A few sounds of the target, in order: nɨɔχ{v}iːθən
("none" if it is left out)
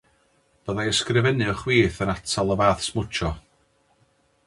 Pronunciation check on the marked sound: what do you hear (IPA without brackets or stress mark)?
w